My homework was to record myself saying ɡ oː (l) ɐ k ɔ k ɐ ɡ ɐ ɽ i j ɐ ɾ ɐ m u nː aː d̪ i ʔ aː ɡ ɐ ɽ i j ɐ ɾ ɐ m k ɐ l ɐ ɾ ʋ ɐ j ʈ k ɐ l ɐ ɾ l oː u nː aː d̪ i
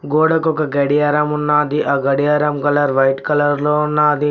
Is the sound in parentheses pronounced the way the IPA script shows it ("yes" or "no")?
no